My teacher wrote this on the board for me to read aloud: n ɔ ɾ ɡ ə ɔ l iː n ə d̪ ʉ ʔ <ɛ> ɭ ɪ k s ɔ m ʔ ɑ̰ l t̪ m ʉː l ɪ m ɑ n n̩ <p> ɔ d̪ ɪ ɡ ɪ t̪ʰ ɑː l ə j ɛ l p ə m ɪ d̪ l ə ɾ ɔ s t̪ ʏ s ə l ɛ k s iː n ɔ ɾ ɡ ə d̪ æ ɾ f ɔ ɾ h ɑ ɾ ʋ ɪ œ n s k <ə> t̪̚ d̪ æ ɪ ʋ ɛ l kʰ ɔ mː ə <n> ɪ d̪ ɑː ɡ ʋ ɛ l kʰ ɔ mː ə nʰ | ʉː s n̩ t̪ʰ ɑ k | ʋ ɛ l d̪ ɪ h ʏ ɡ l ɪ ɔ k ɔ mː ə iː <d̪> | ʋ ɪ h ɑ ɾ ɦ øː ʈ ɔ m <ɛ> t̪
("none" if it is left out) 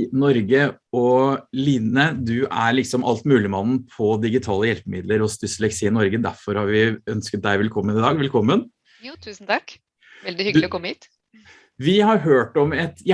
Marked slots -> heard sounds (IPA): æ, pʰ, ə, n, t̪, ɛ

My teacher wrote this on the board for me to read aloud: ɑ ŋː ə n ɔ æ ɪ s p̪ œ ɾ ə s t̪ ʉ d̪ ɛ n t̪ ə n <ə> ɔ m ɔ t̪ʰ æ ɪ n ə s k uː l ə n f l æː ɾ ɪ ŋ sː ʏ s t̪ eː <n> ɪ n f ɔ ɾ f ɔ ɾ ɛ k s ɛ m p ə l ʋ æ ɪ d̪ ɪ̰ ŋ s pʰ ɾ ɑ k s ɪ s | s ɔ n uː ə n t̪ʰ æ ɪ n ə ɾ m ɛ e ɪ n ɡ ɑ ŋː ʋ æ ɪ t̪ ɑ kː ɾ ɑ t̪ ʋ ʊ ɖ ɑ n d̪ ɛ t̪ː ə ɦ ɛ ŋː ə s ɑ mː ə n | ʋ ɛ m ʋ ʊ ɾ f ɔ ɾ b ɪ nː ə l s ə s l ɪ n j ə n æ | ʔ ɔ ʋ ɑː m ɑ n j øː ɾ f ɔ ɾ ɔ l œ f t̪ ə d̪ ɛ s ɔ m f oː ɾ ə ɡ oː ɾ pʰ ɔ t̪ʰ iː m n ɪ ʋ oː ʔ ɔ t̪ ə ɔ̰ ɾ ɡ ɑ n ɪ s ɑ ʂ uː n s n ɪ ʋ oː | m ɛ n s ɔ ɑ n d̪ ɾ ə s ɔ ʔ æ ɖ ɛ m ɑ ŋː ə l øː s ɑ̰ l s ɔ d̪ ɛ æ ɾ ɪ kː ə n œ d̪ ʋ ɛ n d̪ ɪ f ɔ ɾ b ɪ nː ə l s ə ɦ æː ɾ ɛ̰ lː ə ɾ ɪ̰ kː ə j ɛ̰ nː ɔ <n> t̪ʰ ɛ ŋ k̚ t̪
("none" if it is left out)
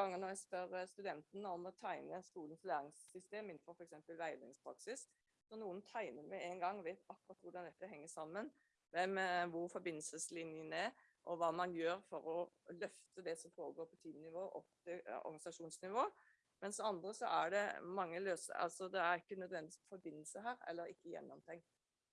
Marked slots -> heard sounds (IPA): ə, m, m

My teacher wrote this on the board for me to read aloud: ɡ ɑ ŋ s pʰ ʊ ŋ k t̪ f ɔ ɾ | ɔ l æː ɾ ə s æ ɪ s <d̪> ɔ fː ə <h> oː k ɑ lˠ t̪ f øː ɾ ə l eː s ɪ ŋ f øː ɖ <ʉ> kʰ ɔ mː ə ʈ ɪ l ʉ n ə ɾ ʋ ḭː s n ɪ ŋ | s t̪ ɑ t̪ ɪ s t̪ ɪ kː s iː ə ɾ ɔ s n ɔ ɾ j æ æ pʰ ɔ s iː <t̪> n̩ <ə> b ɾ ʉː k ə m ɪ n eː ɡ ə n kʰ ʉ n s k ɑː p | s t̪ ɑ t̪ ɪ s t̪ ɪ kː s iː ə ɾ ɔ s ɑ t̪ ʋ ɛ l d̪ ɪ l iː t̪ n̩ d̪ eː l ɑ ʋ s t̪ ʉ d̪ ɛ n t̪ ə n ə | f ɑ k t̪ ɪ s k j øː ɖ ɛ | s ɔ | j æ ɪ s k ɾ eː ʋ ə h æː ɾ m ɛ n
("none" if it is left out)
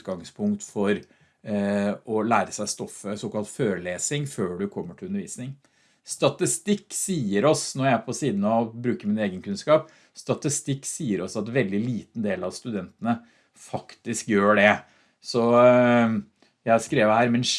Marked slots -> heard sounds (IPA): t̪, s, ʉ, d̪, ɑ

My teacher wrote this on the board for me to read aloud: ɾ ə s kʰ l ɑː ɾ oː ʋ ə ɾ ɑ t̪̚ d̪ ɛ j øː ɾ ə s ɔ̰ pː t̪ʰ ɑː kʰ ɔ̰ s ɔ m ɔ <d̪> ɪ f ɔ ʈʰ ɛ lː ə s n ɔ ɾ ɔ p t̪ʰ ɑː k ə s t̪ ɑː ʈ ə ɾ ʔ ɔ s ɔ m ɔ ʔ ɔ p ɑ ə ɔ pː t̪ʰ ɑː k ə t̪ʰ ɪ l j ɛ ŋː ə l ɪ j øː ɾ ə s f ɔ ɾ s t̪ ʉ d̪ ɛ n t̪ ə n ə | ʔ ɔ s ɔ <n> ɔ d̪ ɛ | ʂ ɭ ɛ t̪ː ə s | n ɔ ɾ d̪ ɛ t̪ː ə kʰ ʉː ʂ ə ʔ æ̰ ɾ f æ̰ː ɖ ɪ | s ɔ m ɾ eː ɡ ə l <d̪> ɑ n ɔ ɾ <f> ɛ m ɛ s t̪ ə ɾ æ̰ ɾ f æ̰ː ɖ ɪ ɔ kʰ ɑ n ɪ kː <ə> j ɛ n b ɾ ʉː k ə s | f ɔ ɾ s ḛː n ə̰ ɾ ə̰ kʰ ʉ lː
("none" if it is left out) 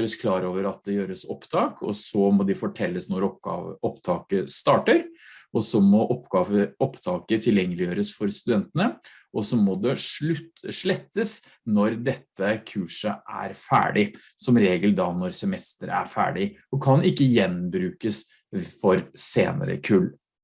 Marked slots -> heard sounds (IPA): d̪, m, d̪, s, ə

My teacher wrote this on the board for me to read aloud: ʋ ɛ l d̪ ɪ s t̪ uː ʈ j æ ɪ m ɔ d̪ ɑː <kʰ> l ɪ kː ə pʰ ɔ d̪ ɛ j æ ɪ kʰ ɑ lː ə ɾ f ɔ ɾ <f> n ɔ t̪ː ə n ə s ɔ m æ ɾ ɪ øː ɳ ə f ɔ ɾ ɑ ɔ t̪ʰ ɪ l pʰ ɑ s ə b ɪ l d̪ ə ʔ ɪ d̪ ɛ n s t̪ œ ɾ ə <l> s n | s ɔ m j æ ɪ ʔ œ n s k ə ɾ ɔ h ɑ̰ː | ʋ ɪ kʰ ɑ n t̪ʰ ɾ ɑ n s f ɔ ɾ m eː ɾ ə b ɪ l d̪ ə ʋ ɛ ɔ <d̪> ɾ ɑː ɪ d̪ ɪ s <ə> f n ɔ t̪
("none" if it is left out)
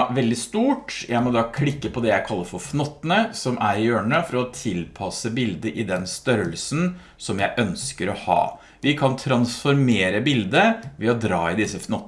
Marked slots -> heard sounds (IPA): kʰ, f, l, d̪, ə

